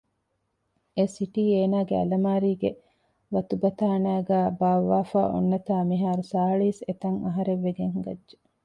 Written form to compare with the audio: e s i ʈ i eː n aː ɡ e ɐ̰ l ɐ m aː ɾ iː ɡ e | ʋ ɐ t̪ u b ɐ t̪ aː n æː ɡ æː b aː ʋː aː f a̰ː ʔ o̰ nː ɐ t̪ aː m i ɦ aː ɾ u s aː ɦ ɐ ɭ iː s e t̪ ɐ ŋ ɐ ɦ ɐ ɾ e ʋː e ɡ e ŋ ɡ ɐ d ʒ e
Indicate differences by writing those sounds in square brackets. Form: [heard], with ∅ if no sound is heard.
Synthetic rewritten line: e s i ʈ [iː] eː n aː ɡ e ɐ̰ l ɐ m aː ɾ iː ɡ e | ʋ ɐ t̪ u b ɐ t̪ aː n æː ɡ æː b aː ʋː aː f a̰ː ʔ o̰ nː ɐ t̪ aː m i ɦ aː ɾ u s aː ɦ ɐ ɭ iː s e t̪ ɐ ŋ ɐ ɦ ɐ ɾ e ʋː e ɡ e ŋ ɡ ɐ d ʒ e